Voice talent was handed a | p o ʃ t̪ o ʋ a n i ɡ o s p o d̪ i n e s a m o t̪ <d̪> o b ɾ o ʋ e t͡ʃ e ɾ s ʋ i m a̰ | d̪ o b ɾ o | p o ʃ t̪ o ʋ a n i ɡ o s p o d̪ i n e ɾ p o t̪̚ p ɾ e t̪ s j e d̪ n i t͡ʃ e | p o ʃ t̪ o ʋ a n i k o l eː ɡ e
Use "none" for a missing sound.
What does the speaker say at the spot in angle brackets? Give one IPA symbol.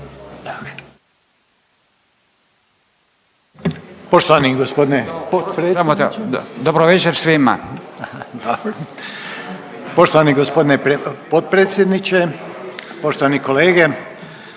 d̪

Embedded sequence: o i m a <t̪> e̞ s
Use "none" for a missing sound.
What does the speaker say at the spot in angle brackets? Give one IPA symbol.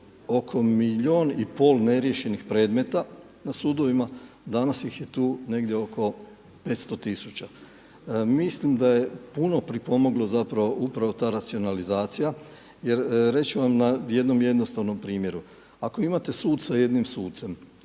t̪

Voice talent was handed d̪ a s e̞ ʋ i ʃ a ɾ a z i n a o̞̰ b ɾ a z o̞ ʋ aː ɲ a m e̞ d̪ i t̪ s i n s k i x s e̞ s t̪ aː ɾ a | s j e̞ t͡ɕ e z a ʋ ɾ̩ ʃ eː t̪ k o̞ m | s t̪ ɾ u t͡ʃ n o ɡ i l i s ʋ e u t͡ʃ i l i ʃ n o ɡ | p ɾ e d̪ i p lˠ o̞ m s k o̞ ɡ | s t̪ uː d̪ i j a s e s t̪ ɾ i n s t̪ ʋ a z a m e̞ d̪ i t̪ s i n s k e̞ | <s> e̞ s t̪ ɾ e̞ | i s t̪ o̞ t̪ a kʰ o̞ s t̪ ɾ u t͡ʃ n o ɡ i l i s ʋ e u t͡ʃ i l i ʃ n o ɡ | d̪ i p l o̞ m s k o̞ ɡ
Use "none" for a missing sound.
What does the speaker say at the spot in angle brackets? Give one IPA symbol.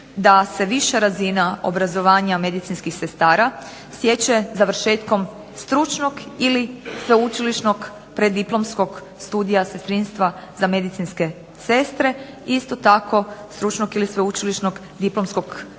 s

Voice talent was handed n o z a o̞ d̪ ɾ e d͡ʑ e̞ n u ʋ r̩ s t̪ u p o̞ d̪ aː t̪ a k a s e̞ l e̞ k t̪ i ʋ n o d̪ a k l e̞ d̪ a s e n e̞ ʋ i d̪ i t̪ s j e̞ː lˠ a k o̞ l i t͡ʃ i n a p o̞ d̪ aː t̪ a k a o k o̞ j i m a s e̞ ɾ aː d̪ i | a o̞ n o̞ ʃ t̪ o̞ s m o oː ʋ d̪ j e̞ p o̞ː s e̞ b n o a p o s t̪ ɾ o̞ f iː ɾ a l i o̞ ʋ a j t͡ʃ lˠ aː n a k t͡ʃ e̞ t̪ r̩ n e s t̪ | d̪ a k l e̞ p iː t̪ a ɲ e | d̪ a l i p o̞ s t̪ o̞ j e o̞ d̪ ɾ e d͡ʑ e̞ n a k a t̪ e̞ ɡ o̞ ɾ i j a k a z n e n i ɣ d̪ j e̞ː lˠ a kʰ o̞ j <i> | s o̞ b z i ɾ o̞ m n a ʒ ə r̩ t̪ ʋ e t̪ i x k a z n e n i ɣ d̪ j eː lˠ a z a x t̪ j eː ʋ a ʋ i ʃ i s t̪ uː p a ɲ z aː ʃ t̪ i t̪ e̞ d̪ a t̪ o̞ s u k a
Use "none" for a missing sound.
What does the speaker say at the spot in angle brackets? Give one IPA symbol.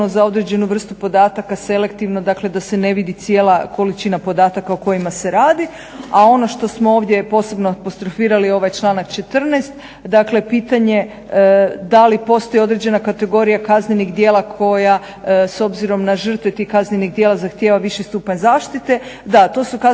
a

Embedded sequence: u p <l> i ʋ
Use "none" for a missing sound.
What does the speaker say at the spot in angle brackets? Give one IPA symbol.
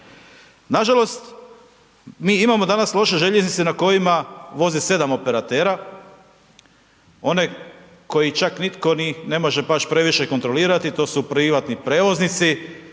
ɾ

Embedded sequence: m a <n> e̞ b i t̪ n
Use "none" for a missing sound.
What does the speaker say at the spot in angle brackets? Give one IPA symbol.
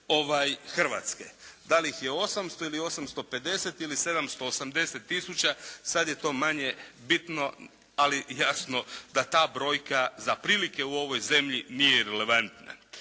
ɲ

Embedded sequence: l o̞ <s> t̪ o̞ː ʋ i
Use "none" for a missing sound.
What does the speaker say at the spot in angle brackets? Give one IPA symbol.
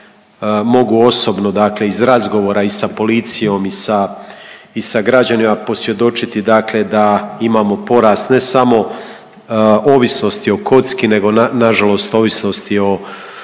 s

